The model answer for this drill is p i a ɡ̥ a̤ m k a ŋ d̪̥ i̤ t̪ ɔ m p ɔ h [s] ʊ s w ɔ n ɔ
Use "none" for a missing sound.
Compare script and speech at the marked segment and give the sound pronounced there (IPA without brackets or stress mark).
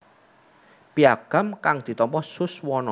s